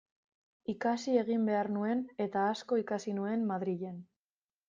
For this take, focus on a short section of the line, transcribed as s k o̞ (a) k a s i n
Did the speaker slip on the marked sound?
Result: yes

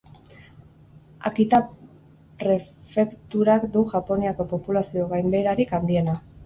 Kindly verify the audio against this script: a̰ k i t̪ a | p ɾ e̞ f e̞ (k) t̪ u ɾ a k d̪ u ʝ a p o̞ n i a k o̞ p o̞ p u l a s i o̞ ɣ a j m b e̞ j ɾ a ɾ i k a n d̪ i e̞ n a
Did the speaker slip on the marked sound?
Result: no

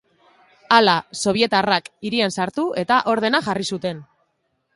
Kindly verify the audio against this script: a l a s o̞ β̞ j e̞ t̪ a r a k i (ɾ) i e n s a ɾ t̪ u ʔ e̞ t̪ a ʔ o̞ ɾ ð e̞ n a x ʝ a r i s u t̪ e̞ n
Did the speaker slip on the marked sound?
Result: no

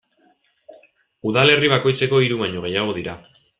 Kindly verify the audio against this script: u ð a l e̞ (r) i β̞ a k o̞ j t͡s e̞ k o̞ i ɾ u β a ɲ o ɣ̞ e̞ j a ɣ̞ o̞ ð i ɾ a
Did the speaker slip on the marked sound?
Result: no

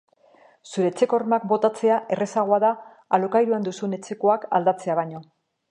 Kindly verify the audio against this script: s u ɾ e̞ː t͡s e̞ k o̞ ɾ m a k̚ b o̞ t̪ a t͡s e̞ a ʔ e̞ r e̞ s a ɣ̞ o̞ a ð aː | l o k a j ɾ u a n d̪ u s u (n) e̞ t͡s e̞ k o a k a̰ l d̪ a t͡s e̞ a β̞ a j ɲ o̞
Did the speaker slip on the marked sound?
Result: no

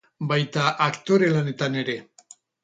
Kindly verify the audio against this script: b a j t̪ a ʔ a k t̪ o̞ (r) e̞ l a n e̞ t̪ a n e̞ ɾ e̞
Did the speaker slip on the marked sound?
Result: yes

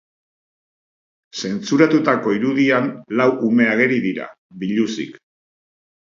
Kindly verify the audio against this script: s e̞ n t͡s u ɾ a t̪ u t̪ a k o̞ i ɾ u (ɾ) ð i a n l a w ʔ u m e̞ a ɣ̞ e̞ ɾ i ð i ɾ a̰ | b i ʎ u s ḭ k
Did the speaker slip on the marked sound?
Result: yes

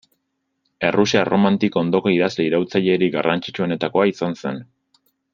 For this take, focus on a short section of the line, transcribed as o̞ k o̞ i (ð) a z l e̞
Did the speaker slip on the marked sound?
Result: no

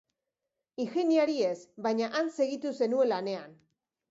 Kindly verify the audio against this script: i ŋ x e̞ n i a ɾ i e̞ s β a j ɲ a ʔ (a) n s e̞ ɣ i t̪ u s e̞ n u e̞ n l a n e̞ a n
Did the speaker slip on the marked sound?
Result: no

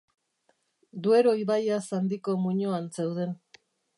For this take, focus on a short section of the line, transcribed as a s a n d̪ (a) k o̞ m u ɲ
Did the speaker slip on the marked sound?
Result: yes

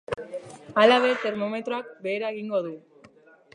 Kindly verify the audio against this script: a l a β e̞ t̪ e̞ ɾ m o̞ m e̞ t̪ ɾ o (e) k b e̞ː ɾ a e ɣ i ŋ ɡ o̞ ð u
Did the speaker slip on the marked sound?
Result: yes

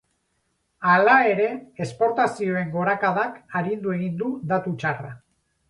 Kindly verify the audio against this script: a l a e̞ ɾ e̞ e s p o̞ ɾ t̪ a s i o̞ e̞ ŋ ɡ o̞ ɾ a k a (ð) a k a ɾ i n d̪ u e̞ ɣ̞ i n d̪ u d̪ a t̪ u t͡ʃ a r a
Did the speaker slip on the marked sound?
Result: no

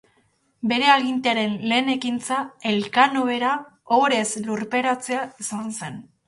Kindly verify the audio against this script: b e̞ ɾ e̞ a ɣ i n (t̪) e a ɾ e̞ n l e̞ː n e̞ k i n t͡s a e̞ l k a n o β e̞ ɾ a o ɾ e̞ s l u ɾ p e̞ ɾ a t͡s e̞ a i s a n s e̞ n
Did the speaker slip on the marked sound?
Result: no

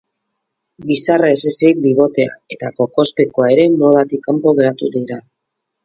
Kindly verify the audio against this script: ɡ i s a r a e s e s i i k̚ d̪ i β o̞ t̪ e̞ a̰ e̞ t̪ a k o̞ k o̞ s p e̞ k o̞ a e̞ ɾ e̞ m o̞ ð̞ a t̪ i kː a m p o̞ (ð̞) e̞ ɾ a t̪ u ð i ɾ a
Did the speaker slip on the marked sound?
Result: yes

